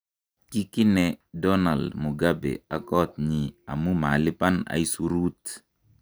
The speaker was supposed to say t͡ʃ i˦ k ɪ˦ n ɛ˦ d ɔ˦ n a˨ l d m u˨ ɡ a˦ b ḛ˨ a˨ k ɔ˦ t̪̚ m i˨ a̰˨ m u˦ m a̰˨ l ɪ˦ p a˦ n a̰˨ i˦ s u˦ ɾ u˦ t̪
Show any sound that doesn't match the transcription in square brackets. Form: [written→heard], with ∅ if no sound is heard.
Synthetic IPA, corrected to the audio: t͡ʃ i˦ k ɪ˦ n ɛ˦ d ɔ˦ n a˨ l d m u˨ ɡ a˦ b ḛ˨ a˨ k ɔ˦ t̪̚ [m→ɲ] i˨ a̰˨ m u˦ m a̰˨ l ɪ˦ p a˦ n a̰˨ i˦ s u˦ ɾ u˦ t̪